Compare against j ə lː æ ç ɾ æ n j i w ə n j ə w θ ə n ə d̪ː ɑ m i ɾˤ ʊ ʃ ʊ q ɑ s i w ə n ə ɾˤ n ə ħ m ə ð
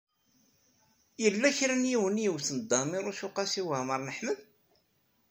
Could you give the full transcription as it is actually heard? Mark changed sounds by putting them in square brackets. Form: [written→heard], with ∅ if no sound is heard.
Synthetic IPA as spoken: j ə lː æ ç ɾ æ n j i w ə n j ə w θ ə n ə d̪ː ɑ m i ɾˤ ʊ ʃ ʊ q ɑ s i w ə [n→m] ə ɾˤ n ə ħ m ə ð